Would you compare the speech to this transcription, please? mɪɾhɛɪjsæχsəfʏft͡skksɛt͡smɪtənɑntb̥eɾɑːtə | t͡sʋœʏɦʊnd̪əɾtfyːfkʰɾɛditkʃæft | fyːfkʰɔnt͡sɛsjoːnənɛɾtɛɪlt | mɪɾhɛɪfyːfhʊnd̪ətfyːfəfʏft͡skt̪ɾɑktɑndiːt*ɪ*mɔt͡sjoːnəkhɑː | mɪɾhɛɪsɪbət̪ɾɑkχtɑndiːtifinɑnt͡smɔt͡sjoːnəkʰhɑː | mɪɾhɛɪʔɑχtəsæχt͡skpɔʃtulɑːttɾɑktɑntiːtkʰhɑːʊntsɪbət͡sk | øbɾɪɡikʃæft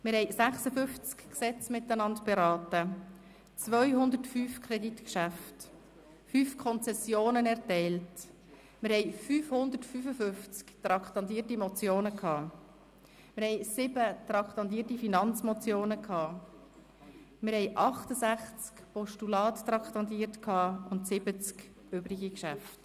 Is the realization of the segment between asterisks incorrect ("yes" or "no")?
yes